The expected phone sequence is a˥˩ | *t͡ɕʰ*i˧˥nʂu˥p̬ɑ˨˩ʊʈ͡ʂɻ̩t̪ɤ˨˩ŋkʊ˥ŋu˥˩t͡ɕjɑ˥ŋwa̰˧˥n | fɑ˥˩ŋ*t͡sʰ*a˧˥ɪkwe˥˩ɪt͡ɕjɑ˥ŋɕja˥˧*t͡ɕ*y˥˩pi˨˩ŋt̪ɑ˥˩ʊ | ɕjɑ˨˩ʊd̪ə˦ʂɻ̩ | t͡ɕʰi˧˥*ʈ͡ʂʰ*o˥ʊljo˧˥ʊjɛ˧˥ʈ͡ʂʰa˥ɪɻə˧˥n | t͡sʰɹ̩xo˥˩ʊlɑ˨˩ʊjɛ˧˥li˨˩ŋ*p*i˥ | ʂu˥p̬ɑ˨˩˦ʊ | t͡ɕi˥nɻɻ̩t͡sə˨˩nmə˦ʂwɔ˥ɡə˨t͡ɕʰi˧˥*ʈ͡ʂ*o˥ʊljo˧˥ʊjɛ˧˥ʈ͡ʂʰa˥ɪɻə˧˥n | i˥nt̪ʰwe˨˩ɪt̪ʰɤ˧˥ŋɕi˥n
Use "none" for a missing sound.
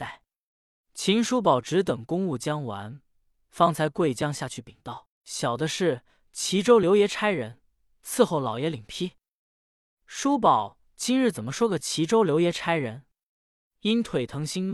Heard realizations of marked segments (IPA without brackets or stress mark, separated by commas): t͡ɕʰ, t͡sʰ, t͡ɕʰ, ʈ͡ʂ, pʰ, ʈ͡ʂ